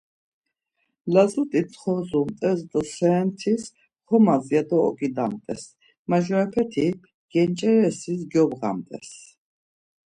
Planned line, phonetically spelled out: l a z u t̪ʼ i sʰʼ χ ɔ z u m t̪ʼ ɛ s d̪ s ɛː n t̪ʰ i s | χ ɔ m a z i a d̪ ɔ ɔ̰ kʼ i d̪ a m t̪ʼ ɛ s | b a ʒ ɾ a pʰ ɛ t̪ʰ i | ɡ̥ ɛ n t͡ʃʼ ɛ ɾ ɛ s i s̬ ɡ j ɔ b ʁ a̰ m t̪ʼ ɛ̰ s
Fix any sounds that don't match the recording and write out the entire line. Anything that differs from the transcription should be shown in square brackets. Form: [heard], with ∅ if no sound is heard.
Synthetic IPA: l a z u t̪ʼ i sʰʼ χ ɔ z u m t̪ʼ ɛ s d̪ s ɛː n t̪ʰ i s | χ ɔ m a z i a d̪ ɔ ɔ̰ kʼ i d̪ a m t̪ʼ ɛ s | [m] a ʒ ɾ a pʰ ɛ t̪ʰ i | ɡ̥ ɛ n t͡ʃʼ ɛ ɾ ɛ s i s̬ ɡ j ɔ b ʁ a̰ m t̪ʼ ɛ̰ s